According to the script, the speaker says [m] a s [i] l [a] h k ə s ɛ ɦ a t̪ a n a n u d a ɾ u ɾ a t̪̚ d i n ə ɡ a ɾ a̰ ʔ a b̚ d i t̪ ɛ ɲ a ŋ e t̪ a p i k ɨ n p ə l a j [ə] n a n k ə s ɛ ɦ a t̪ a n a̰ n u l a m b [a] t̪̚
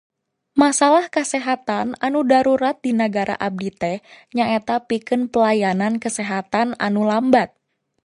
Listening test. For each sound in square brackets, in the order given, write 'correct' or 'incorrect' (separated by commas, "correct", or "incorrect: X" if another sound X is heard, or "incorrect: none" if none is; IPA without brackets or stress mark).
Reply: correct, incorrect: a, correct, incorrect: a, correct